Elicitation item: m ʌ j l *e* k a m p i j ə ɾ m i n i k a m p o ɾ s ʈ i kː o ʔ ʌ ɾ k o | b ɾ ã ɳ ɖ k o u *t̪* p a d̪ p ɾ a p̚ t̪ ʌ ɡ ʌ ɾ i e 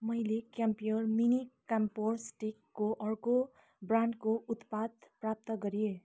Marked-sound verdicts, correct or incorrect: correct, correct

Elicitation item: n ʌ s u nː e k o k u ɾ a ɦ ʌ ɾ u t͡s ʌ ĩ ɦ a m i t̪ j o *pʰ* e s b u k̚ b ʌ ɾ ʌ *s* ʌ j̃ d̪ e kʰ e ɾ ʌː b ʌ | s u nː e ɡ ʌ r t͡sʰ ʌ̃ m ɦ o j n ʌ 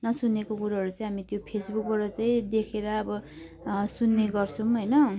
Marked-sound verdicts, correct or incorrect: correct, incorrect

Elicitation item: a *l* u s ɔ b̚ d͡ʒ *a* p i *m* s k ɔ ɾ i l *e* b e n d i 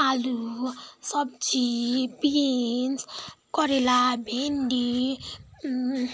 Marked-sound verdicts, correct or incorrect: correct, incorrect, incorrect, incorrect

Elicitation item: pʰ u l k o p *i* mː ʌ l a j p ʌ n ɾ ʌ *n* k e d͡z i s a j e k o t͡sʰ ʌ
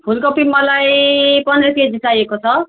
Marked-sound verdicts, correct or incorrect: correct, incorrect

